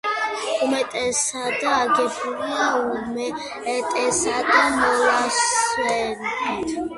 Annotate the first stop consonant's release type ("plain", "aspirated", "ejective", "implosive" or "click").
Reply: ejective